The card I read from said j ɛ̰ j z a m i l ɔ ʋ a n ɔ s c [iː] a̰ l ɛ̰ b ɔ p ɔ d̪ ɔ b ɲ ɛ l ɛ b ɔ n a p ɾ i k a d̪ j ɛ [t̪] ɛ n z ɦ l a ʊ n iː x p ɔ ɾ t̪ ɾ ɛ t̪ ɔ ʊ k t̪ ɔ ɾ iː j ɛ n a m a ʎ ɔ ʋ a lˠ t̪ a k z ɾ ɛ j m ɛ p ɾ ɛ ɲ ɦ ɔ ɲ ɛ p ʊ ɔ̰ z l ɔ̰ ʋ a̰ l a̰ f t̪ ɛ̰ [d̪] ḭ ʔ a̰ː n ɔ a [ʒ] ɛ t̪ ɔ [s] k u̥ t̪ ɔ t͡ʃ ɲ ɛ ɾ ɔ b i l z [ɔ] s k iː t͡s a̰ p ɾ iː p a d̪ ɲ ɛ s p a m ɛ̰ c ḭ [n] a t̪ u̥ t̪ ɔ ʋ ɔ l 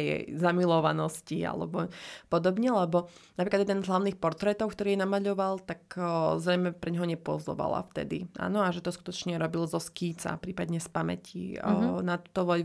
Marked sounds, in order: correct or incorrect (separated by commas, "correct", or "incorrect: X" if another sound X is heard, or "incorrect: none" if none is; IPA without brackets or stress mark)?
incorrect: i, incorrect: d̪, correct, correct, correct, correct, correct